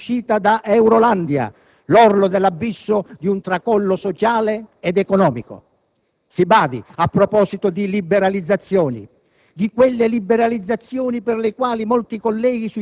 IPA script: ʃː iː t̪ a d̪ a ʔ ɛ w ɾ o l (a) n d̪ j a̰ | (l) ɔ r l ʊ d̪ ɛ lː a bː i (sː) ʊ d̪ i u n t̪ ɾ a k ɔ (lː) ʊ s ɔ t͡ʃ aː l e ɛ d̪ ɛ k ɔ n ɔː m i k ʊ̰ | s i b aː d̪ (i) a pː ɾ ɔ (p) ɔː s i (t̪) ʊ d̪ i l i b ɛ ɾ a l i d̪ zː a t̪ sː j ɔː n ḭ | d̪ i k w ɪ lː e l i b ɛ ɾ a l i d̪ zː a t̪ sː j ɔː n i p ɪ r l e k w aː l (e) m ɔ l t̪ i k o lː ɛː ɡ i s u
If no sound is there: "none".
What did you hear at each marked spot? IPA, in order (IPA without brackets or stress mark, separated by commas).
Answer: a, l, sː, lː, i, p, t̪, i